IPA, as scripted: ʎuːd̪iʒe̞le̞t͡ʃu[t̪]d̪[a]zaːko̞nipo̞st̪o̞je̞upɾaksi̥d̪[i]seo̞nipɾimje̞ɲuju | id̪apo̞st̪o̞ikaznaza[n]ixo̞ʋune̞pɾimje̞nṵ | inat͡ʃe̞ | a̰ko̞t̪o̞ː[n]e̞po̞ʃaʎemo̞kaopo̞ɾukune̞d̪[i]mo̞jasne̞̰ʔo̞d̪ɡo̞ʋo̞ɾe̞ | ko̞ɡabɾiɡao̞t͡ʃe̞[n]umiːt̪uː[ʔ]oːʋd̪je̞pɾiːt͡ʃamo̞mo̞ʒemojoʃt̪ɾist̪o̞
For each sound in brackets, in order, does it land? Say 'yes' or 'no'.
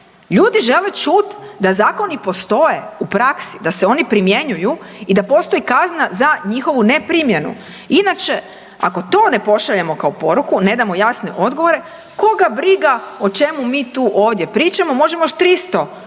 yes, yes, no, no, yes, no, no, yes

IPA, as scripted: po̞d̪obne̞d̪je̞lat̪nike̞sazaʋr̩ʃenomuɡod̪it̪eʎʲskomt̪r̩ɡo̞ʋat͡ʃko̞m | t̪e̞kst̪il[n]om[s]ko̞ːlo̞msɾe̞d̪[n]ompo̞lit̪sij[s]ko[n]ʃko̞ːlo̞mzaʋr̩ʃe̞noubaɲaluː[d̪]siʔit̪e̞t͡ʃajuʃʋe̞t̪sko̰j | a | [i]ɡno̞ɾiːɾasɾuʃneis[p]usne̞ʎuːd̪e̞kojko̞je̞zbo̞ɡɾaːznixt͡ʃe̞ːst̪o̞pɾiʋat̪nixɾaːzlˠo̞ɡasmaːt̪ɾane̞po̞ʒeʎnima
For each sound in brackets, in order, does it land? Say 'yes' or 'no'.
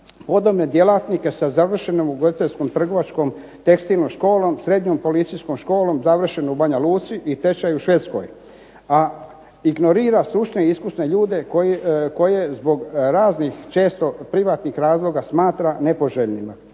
yes, no, no, yes, no, no, yes, no

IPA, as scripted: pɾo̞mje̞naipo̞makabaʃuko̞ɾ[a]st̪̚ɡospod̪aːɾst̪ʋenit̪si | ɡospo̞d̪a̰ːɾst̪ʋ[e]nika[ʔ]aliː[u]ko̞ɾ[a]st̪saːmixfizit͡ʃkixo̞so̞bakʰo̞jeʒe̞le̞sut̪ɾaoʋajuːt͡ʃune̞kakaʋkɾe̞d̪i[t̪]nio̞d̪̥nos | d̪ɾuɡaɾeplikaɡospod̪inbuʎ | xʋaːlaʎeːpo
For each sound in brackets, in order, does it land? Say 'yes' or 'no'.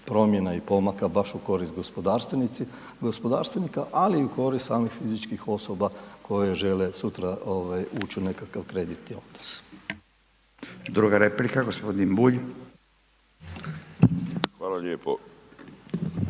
no, yes, yes, yes, no, yes

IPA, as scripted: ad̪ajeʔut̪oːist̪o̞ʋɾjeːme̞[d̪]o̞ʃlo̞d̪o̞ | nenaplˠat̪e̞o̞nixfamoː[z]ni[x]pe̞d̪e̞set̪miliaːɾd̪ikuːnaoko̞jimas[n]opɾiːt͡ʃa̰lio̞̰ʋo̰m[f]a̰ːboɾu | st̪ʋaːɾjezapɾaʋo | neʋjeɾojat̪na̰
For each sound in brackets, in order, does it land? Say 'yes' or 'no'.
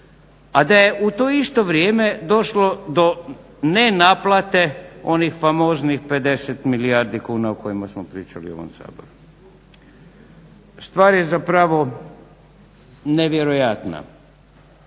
yes, yes, yes, no, no

